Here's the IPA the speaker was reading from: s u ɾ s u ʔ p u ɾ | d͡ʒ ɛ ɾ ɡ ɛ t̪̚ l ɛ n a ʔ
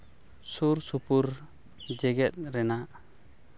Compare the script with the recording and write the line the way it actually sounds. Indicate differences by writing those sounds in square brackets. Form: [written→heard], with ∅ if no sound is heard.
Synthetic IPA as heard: s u ɾ s u [ʔ→∅] p u ɾ | d͡ʒ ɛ [ɾ→∅] ɡ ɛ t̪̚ [l→ɾ] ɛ n a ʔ